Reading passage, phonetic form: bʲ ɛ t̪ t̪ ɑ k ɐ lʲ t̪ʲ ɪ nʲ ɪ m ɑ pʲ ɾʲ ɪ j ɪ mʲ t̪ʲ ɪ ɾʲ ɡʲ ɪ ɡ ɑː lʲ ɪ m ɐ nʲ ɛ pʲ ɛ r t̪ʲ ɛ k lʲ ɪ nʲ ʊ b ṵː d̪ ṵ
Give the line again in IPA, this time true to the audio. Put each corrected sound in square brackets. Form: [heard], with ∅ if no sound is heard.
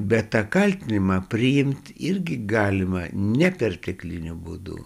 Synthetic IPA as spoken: bʲ ɛ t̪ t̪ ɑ k ɐ lʲ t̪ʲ ɪ nʲ ɪ m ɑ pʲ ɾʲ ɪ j ɪ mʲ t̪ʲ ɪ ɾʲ ɡʲ ɪ ɡ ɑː lʲ ɪ m ɐ nʲ ɛ pʲ ɛ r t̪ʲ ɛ k lʲ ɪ nʲ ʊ b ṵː d̪ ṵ